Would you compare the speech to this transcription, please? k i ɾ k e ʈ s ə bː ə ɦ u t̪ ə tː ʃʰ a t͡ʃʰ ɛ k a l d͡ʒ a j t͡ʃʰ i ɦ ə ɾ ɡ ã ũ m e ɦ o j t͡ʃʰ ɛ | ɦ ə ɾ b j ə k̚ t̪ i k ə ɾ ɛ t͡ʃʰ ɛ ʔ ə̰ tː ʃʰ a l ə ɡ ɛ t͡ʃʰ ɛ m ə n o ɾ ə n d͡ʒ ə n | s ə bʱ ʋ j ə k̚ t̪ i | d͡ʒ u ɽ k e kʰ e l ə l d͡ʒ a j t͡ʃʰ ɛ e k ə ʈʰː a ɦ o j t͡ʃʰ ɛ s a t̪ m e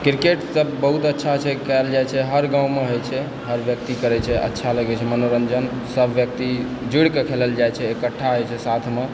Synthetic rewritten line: k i ɾ k e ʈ s ə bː ə ɦ u t̪ ə tː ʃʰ a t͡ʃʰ ɛ k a l d͡ʒ a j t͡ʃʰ ɛ ɦ ə ɾ ɡ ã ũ m e ɦ o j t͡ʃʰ ɛ | ɦ ə ɾ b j ə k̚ t̪ i k ə ɾ ɛ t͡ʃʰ ɛ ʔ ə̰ tː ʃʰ a l ə ɡ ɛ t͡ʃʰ ɛ m ə n o ɾ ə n d͡ʒ ə n | s ə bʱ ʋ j ə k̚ t̪ i | d͡ʒ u ɽ k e kʰ e l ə l d͡ʒ a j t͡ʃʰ ɛ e k ə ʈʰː a ɦ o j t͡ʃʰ ɛ s a t̪ʰ m e